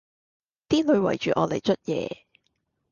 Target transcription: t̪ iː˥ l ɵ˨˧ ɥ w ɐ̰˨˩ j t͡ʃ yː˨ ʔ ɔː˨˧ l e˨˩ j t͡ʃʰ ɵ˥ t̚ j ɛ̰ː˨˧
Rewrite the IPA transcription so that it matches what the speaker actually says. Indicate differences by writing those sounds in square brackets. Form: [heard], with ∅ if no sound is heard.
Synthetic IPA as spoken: t̪ iː˥ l ɵ˨˧ ɥ w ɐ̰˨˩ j t͡ʃ yː˨ ʔ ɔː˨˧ l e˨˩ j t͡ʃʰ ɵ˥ t̚ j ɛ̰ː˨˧

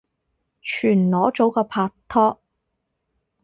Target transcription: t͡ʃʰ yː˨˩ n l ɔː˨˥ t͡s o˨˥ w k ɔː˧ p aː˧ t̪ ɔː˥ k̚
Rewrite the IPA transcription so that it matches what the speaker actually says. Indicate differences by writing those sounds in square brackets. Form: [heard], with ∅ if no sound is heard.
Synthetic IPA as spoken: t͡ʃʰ yː˨˩ n l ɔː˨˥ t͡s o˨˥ w k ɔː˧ [pʰ] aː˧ [t̪ʰ] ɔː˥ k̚

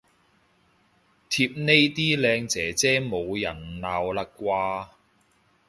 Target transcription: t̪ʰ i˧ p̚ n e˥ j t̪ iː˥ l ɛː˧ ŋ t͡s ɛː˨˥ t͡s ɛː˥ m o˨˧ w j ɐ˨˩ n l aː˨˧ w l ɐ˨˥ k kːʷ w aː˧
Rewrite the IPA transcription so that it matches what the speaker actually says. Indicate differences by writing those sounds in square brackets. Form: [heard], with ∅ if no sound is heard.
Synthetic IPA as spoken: t̪ʰ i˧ p̚ n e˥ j t̪ iː˥ l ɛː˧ ŋ t͡s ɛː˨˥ t͡s ɛː˥ m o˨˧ w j ɐ˨˩ n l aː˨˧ w l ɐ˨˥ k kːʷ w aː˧

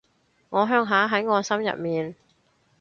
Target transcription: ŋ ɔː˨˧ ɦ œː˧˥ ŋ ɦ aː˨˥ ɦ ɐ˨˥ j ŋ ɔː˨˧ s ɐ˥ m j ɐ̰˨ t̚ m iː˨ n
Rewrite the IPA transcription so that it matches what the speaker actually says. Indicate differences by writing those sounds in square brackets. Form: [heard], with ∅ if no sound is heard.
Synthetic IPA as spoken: ŋ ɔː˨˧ ɦ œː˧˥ ŋ ɦ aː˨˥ ɦ ɐ˨˥ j ŋ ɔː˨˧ s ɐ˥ m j ɐ̰˨ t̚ m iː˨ n

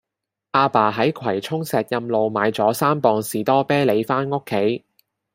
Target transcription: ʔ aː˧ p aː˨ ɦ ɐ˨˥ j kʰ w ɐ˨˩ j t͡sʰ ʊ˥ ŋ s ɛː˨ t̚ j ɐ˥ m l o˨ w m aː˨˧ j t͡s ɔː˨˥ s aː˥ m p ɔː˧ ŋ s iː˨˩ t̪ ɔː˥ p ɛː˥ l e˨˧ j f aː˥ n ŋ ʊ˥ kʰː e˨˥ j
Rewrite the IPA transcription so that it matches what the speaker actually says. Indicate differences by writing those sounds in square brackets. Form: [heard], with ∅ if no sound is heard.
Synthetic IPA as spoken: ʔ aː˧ p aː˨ ɦ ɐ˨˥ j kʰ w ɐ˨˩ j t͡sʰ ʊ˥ ŋ s ɛː˨ t̚ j [ɐ˧] m l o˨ w m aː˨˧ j t͡s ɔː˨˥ s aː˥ m p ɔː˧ ŋ s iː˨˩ t̪ ɔː˥ p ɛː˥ l e˨˧ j f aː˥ n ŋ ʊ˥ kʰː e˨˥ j

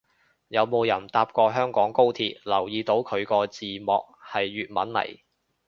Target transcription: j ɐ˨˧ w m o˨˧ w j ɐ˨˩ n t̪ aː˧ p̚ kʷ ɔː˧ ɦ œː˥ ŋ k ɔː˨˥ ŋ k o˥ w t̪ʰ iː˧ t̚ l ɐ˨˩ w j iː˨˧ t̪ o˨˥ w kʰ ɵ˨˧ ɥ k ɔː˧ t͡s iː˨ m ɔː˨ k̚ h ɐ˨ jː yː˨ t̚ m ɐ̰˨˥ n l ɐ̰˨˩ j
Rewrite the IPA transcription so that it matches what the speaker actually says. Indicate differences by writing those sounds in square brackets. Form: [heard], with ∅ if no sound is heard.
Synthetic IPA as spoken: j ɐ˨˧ w m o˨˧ w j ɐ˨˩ n t̪ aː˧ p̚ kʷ ɔː˧ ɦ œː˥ ŋ k ɔː˨˥ ŋ k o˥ w t̪ʰ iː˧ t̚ l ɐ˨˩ w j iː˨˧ t̪ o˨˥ w kʰ ɵ˨˧ ɥ k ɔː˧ t͡s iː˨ m ɔː˨ k̚ h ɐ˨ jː yː˨ t̚ m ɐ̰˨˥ n l ɐ̰˨˩ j

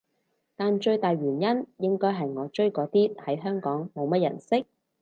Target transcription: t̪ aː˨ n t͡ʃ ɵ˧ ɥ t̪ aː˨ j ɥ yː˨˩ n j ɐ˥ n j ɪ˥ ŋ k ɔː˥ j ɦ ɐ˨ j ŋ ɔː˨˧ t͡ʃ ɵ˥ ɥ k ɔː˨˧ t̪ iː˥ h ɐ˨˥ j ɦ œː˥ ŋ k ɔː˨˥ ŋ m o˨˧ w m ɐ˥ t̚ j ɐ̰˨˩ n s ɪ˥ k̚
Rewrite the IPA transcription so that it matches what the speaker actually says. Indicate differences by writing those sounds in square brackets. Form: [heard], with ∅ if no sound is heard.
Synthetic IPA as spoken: t̪ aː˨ n t͡ʃ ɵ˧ ɥ t̪ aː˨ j ɥ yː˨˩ n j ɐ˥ n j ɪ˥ ŋ k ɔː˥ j ɦ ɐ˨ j ŋ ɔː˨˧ t͡ʃ ɵ˥ ɥ k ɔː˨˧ t̪ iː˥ h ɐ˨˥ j ɦ œː˥ ŋ k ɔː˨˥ ŋ m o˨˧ w m ɐ˥ t̚ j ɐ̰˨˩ n s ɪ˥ k̚

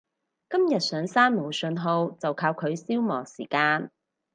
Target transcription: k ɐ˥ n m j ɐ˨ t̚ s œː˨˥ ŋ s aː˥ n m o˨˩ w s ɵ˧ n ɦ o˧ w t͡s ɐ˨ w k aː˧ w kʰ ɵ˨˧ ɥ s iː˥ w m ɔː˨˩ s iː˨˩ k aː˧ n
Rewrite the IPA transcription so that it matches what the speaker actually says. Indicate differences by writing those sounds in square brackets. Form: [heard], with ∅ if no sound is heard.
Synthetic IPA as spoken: k ɐ˥ [∅] m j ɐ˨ t̚ s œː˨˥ ŋ s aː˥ n m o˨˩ w s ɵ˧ n ɦ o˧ w t͡s ɐ˨ w [kʰ] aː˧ w kʰ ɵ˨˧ ɥ s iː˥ w m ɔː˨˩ s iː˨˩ k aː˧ n

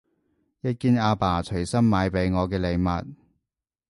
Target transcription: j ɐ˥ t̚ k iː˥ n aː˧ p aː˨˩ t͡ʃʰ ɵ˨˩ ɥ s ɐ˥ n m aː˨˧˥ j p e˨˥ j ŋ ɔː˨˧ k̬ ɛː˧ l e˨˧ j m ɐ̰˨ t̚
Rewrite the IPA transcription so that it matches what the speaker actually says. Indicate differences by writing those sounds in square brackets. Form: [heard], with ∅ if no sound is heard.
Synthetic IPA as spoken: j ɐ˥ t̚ k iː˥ n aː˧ p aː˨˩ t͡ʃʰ ɵ˨˩ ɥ s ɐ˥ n m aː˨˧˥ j p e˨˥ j ŋ ɔː˨˧ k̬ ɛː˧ l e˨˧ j m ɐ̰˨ t̚

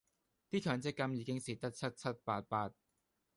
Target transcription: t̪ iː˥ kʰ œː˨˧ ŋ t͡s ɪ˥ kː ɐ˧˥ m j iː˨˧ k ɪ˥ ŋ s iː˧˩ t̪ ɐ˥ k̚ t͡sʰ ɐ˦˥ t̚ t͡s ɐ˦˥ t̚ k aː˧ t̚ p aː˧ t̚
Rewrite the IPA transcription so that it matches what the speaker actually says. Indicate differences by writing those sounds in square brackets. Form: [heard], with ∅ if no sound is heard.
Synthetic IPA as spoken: t̪ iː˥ kʰ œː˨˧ ŋ t͡s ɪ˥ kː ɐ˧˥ m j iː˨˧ k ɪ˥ ŋ s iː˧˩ t̪ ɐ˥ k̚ t͡sʰ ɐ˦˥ t̚ [t͡sʰ] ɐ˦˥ t̚ [p] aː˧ t̚ p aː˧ t̚

